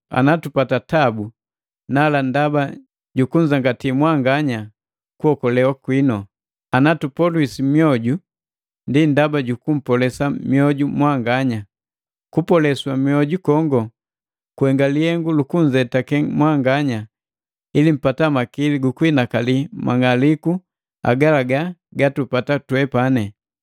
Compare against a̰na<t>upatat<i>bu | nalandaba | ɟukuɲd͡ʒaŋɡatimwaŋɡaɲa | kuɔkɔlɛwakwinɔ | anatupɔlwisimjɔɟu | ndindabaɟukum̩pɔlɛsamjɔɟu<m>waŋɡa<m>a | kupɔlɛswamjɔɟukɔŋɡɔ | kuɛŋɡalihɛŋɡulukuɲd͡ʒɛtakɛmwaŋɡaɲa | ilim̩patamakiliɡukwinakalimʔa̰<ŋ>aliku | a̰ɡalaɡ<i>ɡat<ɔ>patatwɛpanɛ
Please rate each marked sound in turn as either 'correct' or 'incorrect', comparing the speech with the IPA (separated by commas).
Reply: correct, incorrect, correct, incorrect, correct, incorrect, incorrect